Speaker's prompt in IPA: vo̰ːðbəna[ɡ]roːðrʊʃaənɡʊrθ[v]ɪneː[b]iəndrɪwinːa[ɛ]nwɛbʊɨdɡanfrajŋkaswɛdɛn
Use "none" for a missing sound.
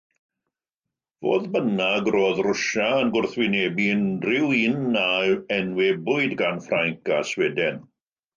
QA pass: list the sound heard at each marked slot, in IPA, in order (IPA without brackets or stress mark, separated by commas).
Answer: ɡ, w, b, ɛ